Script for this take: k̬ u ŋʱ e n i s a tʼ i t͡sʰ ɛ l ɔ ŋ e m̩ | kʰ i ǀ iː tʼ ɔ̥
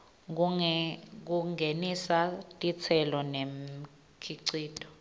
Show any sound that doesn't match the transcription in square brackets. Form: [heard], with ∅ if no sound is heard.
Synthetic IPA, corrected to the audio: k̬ u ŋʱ e n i s a tʼ i t͡sʰ ɛ l ɔ [n] e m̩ | kʰ i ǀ iː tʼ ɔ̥